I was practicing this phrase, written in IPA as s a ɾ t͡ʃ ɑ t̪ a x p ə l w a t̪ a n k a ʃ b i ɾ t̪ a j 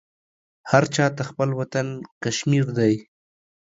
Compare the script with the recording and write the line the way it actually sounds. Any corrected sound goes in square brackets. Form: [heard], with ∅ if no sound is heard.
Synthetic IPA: [h] a ɾ t͡ʃ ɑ t̪ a x p ə l w a t̪ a n k a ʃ [m] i ɾ [d̪] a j